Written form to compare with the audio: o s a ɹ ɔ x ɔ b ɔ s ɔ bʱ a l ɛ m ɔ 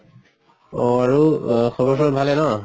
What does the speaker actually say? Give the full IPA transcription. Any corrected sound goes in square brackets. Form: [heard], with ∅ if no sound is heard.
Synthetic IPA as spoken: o [∅] a ɹ [u] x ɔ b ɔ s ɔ bʱ a l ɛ [n] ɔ